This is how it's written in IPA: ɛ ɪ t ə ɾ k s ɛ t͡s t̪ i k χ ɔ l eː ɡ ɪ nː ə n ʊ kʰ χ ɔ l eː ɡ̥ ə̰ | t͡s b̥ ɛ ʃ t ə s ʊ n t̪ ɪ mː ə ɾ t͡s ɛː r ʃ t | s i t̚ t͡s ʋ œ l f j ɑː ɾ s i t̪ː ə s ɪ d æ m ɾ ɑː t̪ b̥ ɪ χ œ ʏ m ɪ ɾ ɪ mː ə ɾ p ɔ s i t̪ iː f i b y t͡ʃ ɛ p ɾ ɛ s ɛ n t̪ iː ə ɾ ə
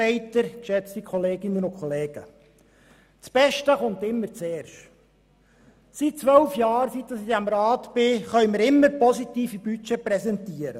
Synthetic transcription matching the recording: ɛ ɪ t ə ɾ k ʃ ɛ t͡s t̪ i k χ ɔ l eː ɡ ɪ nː ə n ʊ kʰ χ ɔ l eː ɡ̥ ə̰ | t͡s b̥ ɛ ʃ t ə χ ʊ n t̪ ɪ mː ə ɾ t͡s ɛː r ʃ t | s i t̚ t͡s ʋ œ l f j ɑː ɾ s i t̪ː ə s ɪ d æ m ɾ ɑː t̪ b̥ ɪ χ œ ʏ m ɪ ɾ ɪ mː ə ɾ p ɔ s i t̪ iː f i b y t͡ʃ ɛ p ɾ ɛ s ɛ n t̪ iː ə ɾ ə